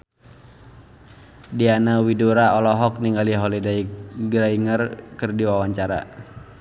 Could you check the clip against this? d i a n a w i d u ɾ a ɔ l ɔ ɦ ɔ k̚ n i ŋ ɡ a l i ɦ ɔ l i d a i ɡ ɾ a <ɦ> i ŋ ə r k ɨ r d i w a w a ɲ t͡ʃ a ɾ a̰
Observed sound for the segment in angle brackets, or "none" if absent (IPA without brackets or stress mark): none